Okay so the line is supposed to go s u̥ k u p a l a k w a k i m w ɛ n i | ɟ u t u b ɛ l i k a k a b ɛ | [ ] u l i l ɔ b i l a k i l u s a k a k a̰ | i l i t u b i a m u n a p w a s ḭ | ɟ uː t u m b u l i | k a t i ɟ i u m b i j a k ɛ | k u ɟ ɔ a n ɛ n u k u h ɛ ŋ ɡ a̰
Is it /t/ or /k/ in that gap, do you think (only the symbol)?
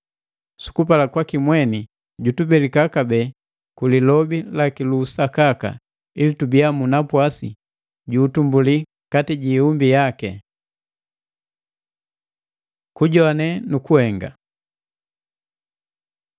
k